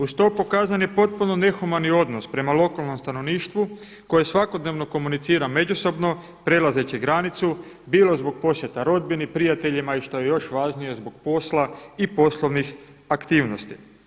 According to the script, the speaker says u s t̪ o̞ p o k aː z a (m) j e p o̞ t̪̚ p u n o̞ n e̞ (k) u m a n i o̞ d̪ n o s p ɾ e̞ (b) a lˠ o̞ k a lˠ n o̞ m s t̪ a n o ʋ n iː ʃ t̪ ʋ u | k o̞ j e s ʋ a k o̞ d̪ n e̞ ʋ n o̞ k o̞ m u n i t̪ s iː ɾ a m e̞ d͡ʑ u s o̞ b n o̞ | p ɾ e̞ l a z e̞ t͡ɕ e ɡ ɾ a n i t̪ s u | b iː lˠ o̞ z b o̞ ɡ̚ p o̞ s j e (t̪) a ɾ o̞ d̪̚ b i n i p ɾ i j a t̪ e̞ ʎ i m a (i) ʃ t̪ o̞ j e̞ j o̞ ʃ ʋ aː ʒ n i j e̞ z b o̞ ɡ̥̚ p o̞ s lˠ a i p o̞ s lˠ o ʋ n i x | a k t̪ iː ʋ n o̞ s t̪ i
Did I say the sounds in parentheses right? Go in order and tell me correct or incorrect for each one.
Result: incorrect: n, incorrect: x, incorrect: m, correct, correct

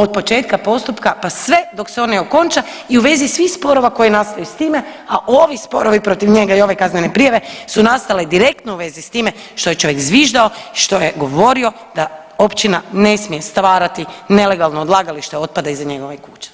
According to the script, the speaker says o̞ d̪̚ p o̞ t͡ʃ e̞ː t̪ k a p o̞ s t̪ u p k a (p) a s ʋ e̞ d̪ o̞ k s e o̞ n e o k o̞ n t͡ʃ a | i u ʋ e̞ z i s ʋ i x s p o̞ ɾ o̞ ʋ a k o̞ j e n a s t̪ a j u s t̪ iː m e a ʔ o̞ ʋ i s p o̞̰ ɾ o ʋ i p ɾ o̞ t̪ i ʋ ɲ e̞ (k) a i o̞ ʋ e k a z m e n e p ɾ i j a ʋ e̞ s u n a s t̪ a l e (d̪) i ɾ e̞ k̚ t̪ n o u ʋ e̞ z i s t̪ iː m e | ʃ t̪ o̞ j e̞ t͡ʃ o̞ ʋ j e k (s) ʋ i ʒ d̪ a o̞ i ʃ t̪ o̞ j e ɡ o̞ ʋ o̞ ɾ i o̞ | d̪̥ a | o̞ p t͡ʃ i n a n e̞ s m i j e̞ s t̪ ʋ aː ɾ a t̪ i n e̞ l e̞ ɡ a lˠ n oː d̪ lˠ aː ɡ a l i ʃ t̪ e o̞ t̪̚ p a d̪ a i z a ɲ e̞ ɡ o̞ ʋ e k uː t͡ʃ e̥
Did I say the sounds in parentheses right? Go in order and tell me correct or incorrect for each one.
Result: correct, incorrect: ɡ, correct, incorrect: z

